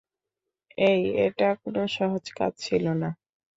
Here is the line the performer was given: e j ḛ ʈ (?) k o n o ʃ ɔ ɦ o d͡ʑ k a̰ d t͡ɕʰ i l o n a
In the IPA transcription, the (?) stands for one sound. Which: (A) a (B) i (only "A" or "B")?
A